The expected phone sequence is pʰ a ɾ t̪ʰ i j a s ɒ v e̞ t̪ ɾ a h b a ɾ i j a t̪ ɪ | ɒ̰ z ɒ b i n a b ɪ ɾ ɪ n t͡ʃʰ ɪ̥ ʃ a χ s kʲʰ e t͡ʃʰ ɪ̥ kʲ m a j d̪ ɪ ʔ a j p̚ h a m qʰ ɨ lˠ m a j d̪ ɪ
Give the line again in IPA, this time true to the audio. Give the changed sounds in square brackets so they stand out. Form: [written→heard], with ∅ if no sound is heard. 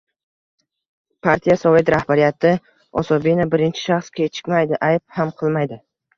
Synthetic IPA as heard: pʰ a ɾ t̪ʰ i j a s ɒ v e̞ t̪ ɾ a h b a ɾ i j a t̪ ɪ | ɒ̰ [z→s] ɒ b i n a b ɪ ɾ ɪ n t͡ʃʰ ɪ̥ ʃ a χ s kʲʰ e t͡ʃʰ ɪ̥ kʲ m a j d̪ ɪ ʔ a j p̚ h a m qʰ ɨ lˠ m a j d̪ ɪ